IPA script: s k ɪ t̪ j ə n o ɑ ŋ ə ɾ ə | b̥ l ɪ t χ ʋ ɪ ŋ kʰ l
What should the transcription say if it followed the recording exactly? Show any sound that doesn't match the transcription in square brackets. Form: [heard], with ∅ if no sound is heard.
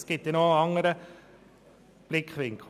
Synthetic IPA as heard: s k ɪ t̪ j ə n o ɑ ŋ ə ɾ ə | b̥ l ɪ [k] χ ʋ ɪ ŋ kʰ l